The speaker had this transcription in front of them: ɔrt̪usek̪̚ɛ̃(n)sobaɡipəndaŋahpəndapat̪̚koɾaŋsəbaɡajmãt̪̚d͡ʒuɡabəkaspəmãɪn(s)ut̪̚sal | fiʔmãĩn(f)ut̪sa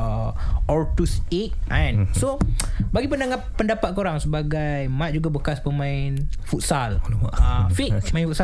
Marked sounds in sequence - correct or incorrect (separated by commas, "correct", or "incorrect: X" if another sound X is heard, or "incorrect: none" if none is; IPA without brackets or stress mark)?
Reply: correct, incorrect: f, correct